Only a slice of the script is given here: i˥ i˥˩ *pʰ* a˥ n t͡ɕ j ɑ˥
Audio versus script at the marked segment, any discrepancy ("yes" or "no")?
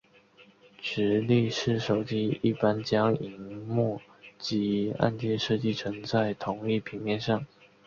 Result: yes